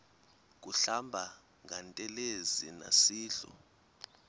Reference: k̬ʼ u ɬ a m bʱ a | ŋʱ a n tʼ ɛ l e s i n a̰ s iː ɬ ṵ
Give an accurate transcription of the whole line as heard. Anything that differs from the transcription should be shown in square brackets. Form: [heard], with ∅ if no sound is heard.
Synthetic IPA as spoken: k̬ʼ u ɬ a m bʱ a | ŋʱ a n tʼ ɛ l e [z] i n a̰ s iː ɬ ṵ